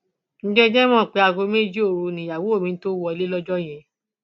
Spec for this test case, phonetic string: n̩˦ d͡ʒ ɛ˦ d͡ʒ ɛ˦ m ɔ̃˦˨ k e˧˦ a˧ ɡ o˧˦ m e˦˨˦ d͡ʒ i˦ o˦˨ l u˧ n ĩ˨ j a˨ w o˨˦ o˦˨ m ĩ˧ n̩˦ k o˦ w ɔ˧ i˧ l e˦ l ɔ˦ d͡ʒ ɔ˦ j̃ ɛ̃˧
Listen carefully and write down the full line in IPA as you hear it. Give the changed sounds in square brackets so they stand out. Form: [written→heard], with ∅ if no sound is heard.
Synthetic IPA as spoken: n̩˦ d͡ʒ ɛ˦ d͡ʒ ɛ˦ m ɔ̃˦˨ [k→k͡p] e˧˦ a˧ ɡ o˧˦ m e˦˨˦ d͡ʒ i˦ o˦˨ [l→ɾ] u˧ n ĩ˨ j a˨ w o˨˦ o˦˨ m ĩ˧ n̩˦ [k→t] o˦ w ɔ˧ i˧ l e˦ l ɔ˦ d͡ʒ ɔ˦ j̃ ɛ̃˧